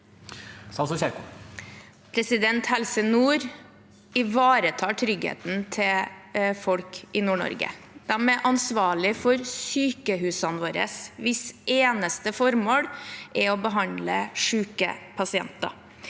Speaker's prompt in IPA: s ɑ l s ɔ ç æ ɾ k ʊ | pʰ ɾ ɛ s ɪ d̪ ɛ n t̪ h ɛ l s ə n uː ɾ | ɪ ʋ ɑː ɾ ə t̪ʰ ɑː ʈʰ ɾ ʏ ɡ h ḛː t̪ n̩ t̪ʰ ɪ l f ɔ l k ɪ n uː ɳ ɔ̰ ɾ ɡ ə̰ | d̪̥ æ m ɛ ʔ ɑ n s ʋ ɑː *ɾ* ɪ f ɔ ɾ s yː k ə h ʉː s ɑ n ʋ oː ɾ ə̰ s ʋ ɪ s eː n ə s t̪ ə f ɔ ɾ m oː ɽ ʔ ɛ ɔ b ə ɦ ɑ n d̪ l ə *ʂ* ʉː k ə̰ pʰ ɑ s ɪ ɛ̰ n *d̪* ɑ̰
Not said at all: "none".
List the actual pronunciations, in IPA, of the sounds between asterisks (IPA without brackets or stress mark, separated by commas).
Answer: ɭ, ʂ, t̪